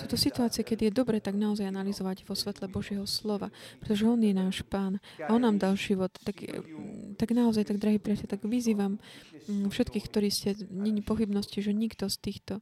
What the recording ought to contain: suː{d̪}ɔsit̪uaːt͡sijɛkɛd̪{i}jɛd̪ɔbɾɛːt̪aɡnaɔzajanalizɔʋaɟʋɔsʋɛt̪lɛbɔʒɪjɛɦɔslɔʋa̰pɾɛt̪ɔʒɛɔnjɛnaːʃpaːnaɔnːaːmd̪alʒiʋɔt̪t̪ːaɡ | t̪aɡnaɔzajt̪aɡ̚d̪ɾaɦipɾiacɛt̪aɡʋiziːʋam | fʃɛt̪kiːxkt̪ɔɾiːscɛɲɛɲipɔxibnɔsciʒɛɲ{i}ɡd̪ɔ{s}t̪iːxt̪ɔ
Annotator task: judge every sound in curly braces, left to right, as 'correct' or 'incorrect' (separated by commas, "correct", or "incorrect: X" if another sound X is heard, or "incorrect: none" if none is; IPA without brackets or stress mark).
incorrect: t̪, correct, correct, correct